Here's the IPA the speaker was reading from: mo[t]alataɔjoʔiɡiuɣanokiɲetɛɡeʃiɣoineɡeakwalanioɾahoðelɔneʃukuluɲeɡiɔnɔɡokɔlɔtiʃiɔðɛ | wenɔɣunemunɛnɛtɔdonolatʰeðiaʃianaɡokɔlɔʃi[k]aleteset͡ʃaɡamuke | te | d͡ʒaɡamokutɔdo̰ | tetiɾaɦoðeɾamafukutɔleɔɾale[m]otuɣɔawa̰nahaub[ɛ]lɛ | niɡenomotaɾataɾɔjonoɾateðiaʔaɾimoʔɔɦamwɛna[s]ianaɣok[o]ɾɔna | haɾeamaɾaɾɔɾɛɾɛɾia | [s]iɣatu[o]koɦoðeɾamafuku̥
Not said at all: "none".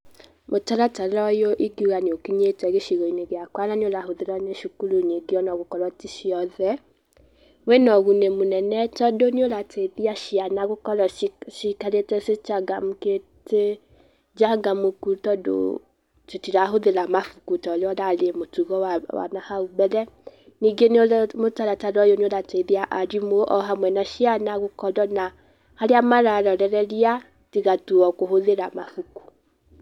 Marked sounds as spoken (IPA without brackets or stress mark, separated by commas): t, k, m, ɛ, ʃ, ɔ, t, ɔ